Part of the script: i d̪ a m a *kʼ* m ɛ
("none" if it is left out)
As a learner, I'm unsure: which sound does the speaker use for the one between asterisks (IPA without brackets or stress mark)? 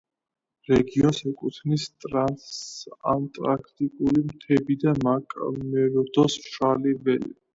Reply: kʼ